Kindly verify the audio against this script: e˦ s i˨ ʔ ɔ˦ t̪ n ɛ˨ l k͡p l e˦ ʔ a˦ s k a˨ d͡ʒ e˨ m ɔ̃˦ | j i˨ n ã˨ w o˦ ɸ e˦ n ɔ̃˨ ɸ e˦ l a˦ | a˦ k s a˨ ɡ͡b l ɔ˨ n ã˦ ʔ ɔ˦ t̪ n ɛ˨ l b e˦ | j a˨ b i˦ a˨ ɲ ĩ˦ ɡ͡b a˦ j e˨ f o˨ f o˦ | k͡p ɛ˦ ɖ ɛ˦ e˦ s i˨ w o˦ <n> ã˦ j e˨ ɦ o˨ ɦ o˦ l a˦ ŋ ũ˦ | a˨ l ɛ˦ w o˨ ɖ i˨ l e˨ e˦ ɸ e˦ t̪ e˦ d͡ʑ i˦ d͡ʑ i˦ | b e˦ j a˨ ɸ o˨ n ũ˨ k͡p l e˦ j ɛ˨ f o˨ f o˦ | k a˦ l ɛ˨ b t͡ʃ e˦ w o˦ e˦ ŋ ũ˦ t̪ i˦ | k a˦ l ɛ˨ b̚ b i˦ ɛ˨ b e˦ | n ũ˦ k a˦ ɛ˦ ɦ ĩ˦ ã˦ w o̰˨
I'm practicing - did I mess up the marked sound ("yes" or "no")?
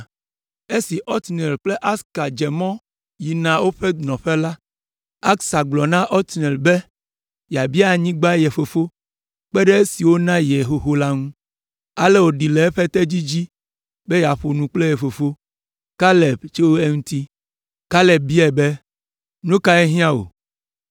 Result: no